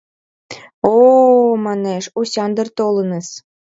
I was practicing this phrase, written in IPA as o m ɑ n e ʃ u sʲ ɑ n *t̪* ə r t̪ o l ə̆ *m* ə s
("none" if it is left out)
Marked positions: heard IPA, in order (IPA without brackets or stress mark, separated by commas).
d̪, n